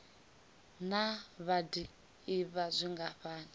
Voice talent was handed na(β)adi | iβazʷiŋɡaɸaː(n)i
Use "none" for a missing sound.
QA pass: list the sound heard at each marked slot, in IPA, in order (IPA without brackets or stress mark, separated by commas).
β, n